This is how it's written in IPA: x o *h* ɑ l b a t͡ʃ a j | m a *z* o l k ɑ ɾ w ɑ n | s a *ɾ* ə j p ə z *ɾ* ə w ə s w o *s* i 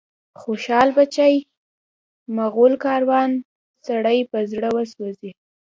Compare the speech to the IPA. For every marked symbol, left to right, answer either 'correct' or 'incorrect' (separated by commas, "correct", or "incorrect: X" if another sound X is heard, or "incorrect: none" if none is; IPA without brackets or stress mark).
incorrect: ʃ, incorrect: ɣ, incorrect: ɽ, incorrect: ɽ, incorrect: z